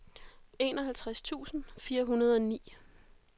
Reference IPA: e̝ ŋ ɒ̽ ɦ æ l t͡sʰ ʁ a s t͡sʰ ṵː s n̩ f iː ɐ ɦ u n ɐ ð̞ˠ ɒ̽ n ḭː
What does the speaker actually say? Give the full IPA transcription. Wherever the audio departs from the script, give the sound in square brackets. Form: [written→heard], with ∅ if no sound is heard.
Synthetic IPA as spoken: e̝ [ŋ→n] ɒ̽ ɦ æ l t͡sʰ ʁ a s t͡sʰ ṵː s n̩ f iː ɐ ɦ u n ɐ ð̞ˠ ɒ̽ n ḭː